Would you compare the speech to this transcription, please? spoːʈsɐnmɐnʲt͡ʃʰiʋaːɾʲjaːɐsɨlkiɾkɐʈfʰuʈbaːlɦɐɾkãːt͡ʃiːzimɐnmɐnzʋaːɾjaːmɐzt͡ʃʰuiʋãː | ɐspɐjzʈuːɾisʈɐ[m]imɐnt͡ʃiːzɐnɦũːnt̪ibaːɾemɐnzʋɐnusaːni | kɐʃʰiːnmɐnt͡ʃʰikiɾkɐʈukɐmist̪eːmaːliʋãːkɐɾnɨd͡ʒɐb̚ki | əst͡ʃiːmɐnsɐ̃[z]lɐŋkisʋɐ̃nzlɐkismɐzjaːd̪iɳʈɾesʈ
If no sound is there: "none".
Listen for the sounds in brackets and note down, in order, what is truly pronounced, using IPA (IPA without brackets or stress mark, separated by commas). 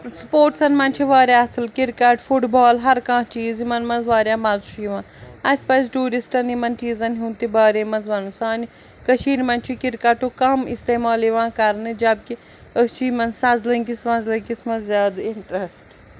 n, z